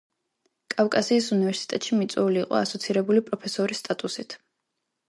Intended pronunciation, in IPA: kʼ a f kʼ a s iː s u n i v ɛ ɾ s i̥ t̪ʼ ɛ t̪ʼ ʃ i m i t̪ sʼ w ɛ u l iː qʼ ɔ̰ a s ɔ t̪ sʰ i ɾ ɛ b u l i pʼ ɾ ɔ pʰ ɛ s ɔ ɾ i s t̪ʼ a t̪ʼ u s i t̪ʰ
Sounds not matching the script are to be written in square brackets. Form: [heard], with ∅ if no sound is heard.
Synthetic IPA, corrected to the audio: kʼ a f kʼ a s iː s u n i v ɛ ɾ s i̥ t̪ʼ ɛ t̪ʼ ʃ i m i t̪ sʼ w ɛ u l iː qʼ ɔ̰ a s ɔ t̪ sʰ i ɾ ɛ b u l i pʼ ɾ ɔ pʰ ɛ s ɔ ɾ i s t̪ʼ a t̪ʼ u s i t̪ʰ